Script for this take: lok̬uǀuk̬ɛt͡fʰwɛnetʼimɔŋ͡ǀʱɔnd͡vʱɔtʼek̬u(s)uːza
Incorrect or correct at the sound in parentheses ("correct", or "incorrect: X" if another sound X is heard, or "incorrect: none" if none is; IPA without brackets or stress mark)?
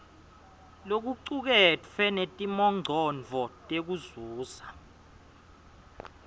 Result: incorrect: z